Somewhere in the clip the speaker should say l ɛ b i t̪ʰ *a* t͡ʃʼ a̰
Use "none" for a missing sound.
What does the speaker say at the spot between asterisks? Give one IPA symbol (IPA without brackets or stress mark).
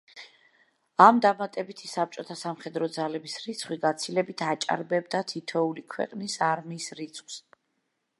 a